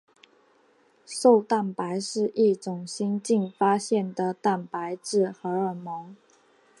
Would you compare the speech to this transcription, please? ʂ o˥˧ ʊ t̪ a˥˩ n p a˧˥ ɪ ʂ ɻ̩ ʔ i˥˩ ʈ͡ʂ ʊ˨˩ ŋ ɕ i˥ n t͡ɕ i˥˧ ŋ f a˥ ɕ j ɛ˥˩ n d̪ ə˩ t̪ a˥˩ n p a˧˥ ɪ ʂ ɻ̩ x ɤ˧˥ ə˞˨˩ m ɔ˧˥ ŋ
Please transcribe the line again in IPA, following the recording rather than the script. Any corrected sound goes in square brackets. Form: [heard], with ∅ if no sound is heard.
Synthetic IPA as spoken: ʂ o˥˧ ʊ t̪ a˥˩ n p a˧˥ ɪ ʂ ɻ̩ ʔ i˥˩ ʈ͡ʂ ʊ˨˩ ŋ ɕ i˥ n t͡ɕ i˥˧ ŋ f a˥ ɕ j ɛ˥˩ n d̪ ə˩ t̪ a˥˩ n p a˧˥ ɪ [ʈ͡ʂ] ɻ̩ x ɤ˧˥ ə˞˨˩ m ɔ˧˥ ŋ

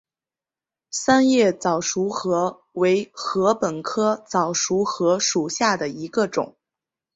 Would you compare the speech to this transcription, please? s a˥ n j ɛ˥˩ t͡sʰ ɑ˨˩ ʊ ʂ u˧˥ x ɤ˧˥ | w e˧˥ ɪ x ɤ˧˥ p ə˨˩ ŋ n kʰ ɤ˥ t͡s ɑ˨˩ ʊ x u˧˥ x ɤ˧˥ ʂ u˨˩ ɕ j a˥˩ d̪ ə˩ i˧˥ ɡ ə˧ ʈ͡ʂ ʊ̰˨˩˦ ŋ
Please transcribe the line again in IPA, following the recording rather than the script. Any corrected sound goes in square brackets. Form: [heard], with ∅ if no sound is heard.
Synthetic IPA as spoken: s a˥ n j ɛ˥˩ [t͡s] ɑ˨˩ ʊ ʂ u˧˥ x ɤ˧˥ | w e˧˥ ɪ x ɤ˧˥ p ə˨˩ [∅] n kʰ ɤ˥ t͡s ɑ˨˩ ʊ [ʂ] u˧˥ x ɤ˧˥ ʂ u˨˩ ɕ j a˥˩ d̪ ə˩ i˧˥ ɡ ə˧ ʈ͡ʂ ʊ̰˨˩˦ ŋ

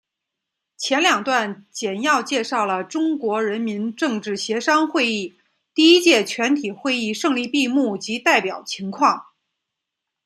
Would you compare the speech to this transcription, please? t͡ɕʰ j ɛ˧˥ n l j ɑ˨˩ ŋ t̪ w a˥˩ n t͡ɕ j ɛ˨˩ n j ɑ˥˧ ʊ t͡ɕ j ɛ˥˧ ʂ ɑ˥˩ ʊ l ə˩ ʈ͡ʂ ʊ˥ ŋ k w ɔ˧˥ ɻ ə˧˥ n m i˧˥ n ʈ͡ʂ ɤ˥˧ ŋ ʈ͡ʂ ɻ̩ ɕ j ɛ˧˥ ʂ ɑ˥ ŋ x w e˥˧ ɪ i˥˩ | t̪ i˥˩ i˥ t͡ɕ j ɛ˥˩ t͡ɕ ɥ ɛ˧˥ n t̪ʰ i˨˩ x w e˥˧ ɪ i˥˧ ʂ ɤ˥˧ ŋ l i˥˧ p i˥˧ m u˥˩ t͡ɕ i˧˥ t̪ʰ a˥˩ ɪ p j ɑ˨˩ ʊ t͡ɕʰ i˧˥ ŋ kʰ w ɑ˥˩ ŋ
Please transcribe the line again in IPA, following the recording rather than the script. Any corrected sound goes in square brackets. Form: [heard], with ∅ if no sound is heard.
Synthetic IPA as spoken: t͡ɕʰ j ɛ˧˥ n l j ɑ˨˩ ŋ t̪ w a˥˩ n t͡ɕ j ɛ˨˩ n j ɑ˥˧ ʊ t͡ɕ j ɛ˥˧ ʂ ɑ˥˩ ʊ l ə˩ ʈ͡ʂ ʊ˥ ŋ k w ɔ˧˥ ɻ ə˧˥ n m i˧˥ n ʈ͡ʂ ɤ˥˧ ŋ ʈ͡ʂ ɻ̩ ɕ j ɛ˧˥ ʂ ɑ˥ ŋ x w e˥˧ ɪ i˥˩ | t̪ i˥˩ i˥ t͡ɕ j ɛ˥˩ [t͡ɕʰ] ɥ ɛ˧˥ n t̪ʰ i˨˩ x w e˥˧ ɪ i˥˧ ʂ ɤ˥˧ ŋ l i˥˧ p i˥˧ m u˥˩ t͡ɕ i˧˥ [t̪] a˥˩ ɪ p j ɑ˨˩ ʊ t͡ɕʰ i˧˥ ŋ kʰ w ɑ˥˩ ŋ

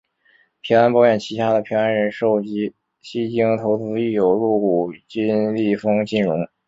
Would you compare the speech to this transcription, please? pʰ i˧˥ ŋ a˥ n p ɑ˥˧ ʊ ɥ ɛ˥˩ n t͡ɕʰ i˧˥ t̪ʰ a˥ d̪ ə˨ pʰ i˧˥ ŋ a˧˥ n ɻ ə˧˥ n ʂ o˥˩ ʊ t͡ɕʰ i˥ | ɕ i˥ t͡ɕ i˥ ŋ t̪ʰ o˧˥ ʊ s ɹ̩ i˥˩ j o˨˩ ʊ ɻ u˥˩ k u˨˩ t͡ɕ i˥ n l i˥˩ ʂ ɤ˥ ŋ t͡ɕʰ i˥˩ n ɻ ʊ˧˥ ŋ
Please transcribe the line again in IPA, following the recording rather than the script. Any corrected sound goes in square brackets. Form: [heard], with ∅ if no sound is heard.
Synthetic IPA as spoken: pʰ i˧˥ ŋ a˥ n p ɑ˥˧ ʊ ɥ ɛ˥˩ n t͡ɕʰ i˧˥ t̪ʰ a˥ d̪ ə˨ pʰ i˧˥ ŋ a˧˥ n ɻ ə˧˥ n ʂ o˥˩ ʊ [t͡ɕ] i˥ | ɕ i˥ t͡ɕ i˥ ŋ t̪ʰ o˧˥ ʊ [t͡s] ɹ̩ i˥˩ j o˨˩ ʊ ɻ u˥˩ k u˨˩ t͡ɕ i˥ n l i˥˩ [f] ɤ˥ ŋ [t͡ɕ] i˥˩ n ɻ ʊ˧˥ ŋ

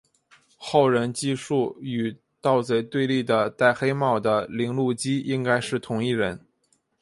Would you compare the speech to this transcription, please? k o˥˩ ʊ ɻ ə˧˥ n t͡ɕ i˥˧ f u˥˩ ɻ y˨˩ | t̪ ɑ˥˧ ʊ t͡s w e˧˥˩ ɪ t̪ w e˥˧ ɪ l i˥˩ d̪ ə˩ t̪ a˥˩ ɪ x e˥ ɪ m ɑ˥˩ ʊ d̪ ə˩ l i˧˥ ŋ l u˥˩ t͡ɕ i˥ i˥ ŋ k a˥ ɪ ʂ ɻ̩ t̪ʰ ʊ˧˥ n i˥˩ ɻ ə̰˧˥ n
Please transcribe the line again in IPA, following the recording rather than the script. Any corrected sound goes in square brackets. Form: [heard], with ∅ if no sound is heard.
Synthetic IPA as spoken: [x] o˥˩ ʊ ɻ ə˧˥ n t͡ɕ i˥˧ [ʂ] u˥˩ [∅] y˨˩ | t̪ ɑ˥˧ ʊ t͡s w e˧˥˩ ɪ t̪ w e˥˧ ɪ l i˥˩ d̪ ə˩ t̪ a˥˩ ɪ x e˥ ɪ m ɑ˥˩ ʊ d̪ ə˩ l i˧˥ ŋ l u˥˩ t͡ɕ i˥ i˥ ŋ k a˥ ɪ ʂ ɻ̩ t̪ʰ ʊ˧˥ [ŋ] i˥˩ ɻ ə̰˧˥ n

